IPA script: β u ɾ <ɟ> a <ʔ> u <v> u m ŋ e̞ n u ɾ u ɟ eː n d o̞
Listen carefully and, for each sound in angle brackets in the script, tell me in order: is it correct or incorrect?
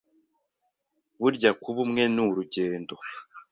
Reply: correct, incorrect: k, incorrect: β

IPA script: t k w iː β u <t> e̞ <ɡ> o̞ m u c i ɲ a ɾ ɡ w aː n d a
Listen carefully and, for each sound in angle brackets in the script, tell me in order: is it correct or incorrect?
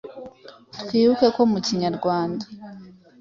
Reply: incorrect: k, incorrect: k

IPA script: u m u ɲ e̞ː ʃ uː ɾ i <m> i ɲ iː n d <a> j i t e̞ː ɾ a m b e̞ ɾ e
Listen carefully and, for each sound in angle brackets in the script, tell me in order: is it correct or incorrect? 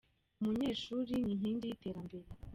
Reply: incorrect: ɲ, incorrect: i

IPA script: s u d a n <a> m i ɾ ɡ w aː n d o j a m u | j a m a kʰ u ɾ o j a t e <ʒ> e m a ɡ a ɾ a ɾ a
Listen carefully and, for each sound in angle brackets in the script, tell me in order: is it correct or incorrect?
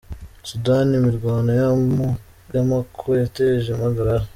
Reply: incorrect: i, correct

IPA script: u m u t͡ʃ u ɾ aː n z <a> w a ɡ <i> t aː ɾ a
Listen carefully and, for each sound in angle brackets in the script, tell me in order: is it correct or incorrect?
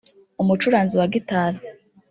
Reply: incorrect: i, correct

